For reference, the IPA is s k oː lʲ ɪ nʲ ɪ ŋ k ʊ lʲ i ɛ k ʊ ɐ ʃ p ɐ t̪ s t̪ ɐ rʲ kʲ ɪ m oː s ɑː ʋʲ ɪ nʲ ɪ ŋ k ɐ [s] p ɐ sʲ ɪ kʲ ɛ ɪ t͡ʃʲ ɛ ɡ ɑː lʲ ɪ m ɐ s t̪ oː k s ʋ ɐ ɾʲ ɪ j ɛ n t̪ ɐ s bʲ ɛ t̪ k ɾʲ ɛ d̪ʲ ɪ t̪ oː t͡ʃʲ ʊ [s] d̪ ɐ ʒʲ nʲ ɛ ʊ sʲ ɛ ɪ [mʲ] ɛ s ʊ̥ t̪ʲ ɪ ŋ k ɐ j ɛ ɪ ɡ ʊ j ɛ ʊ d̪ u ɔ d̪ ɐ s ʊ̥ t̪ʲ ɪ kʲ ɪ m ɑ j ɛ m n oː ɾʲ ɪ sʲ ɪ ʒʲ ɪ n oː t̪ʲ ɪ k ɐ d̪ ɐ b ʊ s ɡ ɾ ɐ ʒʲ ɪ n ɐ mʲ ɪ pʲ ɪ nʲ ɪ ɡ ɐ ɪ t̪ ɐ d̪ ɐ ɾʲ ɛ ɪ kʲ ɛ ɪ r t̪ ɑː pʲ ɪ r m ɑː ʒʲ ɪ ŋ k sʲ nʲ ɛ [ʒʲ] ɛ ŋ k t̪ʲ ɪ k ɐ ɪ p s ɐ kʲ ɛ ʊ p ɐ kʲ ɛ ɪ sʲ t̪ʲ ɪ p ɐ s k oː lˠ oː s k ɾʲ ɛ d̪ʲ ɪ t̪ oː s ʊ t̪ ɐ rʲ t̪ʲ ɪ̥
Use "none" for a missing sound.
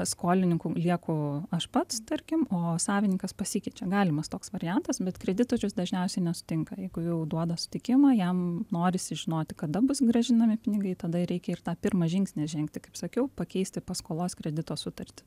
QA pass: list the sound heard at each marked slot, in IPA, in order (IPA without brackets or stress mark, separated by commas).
s, s, nʲ, ʒʲ